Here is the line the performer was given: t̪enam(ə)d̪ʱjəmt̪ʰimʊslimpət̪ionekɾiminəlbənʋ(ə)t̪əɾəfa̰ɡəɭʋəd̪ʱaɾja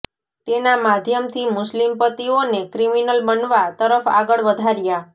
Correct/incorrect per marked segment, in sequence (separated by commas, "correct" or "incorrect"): incorrect, incorrect